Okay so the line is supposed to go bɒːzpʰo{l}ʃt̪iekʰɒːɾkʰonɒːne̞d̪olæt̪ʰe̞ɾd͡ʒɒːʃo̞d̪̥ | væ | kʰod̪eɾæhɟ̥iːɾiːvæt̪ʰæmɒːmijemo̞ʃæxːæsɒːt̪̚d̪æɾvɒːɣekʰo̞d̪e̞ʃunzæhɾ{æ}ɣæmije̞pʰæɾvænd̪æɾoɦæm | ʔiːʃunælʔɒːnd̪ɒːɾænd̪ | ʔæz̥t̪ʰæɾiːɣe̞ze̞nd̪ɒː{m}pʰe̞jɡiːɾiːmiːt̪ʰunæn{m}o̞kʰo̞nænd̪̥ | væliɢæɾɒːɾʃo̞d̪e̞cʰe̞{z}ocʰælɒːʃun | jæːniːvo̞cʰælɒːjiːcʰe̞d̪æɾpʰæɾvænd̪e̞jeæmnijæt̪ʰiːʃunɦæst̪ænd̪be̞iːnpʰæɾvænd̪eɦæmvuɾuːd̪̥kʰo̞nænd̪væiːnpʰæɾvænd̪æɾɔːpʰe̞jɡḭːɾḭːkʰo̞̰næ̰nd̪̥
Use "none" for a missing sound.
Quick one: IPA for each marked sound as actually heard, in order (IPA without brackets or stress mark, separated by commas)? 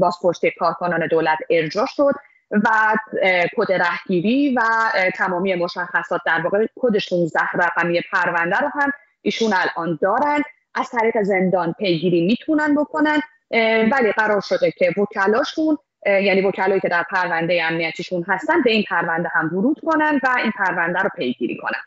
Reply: ɾ, æ, n, b, v